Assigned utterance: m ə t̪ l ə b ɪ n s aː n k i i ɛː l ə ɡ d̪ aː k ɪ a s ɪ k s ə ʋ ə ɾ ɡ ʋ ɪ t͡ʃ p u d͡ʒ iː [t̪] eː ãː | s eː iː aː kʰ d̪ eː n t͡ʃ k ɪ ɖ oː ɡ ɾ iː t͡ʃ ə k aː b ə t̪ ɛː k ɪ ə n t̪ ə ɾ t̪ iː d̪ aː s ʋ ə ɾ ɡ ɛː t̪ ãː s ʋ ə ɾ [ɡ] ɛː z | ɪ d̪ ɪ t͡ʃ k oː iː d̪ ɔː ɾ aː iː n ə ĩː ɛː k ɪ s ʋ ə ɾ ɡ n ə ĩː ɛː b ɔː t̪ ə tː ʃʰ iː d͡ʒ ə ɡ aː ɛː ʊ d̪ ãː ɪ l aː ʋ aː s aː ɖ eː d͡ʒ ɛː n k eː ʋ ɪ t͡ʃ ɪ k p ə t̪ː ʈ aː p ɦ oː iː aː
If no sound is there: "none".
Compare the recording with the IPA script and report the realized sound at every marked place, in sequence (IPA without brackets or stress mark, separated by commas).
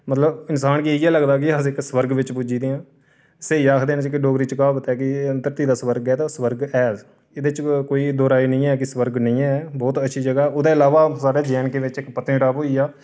d̪, ɡ